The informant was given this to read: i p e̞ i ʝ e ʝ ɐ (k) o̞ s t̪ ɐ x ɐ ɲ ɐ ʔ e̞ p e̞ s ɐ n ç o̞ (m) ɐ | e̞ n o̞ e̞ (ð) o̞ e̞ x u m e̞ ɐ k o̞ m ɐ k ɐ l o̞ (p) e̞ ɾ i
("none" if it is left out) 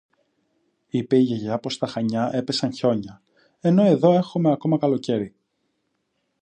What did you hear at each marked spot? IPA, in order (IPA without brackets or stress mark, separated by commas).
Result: p, ɲ, ð, c